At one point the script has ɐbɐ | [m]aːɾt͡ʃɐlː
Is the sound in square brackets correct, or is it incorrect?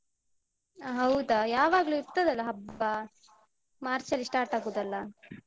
correct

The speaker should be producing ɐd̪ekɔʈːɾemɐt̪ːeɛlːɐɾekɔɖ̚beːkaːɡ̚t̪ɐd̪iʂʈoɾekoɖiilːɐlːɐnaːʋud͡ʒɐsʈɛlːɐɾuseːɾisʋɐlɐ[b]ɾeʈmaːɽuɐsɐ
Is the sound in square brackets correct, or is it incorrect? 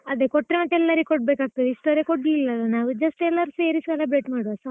correct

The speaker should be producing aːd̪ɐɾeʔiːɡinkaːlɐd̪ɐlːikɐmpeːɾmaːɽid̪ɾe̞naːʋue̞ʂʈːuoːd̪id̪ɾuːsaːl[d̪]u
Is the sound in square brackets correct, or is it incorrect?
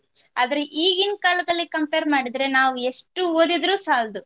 correct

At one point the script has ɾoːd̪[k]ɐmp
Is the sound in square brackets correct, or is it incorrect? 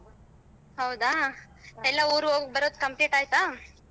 correct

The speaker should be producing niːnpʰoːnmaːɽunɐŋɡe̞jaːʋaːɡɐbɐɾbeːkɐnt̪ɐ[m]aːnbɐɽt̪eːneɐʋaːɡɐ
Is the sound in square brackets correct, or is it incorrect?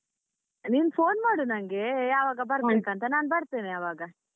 incorrect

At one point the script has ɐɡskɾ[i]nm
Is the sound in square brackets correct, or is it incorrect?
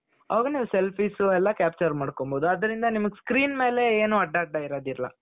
incorrect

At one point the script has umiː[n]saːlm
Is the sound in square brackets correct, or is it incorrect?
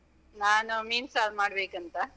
correct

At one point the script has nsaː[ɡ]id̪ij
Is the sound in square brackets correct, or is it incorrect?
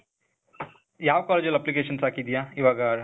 incorrect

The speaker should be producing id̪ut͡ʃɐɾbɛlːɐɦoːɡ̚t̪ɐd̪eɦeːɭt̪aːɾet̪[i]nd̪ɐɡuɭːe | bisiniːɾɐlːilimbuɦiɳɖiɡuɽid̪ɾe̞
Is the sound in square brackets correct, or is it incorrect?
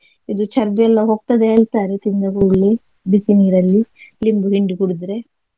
correct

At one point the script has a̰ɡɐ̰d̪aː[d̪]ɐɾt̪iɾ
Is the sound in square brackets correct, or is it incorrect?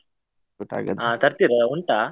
incorrect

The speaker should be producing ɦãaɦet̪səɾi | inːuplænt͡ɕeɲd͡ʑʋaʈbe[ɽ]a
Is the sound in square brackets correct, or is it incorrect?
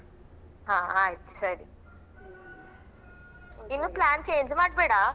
correct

